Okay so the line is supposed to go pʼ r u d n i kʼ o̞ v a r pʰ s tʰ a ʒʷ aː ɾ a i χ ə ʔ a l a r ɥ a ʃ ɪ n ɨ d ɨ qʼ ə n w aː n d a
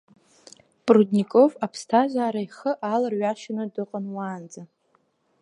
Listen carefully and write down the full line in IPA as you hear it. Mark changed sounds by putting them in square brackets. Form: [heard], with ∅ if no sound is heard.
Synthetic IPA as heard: pʼ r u d n i kʼ o̞ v a [∅] pʰ s tʰ a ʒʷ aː ɾ a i χ ə ʔ a l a r ɥ a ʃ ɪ n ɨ d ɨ qʼ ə n w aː n [d͡z] a